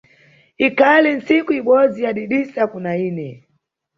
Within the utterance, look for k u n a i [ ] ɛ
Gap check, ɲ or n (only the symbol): n